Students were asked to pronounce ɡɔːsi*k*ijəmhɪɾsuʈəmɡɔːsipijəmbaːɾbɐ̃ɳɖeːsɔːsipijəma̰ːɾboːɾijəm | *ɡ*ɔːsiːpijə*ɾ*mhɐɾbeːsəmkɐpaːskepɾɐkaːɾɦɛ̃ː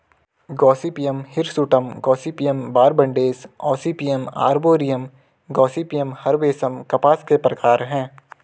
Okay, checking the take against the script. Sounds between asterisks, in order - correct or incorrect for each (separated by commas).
incorrect, correct, incorrect